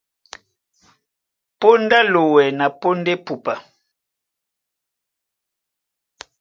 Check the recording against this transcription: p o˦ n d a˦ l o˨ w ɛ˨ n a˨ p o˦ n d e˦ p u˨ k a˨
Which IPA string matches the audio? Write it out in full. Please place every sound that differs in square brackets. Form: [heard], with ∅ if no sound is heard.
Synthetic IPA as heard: p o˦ n d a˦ l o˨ w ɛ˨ n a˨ p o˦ n d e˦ p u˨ [p] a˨